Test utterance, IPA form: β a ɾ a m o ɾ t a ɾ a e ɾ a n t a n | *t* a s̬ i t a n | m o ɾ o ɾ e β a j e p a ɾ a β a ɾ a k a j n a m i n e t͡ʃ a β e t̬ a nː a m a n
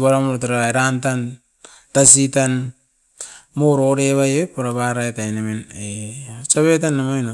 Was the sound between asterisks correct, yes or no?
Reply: yes